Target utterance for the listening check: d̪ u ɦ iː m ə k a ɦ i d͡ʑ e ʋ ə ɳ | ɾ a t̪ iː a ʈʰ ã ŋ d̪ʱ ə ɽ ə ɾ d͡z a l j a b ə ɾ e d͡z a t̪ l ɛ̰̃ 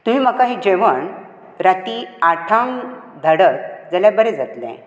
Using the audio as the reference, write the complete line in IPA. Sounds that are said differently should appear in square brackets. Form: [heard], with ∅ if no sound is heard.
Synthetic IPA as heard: [t̪] u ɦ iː m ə k a ɦ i d͡ʑ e ʋ ə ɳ | ɾ a t̪ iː a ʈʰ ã ŋ d̪ʱ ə ɽ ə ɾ d͡z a l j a b ə ɾ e d͡z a t̪ l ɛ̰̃

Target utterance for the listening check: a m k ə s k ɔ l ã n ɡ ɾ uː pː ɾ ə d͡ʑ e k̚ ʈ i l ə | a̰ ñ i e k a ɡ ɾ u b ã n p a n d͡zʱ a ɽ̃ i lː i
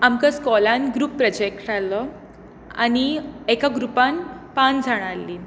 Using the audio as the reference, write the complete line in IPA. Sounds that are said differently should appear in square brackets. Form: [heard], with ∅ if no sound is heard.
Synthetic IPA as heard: a m k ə s k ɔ l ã n ɡ ɾ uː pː ɾ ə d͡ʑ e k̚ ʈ [a] l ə | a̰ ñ i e k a ɡ ɾ u [p] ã n p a n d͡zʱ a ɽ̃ [a] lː i

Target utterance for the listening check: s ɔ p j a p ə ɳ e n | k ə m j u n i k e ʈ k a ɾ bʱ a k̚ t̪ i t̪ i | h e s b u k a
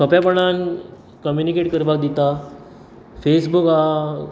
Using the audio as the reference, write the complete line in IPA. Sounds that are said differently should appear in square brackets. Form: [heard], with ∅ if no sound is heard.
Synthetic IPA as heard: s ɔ p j a p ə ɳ [a] n | k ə m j u n i k e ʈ k [ə] ɾ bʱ a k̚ [d̪] i t̪ [a] | [f] e s b u k a

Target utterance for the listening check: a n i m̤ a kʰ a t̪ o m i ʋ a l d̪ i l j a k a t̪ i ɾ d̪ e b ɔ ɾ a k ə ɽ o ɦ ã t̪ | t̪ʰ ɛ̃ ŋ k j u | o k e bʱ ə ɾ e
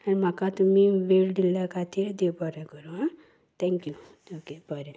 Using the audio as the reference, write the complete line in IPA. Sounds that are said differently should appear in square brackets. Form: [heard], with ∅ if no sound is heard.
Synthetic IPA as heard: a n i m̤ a [k] a t̪ [u] m i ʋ [e] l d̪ i l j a k a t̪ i ɾ d̪ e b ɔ ɾ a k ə [ɾ] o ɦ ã [∅] | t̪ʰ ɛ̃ ŋ k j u | o k e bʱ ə ɾ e

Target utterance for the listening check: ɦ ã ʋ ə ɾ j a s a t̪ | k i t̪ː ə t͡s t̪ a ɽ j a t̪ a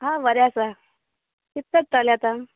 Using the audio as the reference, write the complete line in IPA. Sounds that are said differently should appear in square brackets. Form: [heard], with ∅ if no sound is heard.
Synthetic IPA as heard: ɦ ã ʋ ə ɾ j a s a [∅] | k i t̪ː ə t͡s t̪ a [l] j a t̪ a

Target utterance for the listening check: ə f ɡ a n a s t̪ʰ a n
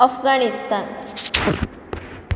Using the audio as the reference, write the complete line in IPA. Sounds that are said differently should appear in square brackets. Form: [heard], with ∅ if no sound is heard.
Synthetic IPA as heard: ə f ɡ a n [i] s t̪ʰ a n

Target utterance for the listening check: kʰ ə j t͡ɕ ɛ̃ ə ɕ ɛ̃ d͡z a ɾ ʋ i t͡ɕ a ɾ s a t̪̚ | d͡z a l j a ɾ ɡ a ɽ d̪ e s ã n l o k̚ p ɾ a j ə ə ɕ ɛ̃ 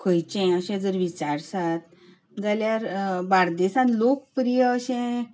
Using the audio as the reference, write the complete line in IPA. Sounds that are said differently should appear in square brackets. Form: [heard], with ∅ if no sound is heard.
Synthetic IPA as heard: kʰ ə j t͡ɕ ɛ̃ ə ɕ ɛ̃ d͡z [ə] ɾ ʋ i t͡ɕ a ɾ s a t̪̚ | d͡z a l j a ɾ [b] a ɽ d̪ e s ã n l o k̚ p ɾ [i] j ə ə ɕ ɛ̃

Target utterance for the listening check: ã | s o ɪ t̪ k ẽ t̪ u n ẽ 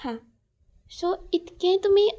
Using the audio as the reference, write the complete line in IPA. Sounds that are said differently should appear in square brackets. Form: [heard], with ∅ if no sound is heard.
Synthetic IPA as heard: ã | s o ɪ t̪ k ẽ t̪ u [m] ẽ

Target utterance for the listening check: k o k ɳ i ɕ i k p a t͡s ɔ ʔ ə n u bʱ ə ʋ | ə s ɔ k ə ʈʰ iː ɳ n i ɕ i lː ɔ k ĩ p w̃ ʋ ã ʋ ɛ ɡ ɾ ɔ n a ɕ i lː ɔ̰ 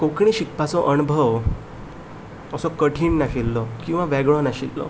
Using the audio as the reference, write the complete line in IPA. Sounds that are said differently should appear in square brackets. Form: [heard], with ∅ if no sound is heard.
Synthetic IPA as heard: k o k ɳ i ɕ i k p a t͡s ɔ ʔ ə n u bʱ ə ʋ | ə s ɔ k ə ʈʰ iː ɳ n [a] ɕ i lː ɔ k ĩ [∅] w̃ ʋ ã ʋ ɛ ɡ [ɭ] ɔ n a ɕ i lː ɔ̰

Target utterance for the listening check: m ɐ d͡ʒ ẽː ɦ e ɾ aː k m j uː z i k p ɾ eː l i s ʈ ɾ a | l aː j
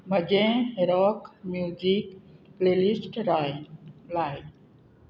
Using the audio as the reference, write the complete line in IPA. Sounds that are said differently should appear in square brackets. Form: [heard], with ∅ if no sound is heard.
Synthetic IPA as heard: m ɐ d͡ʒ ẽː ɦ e ɾ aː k m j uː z i k p [l] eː l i s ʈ ɾ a | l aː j

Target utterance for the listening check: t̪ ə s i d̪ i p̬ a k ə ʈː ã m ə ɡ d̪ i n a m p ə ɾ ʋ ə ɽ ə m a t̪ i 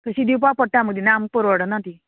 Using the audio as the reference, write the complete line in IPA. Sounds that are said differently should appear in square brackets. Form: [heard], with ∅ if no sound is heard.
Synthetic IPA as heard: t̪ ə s i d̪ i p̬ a [p] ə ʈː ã m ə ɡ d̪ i n a m p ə ɾ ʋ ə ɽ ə [n] a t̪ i

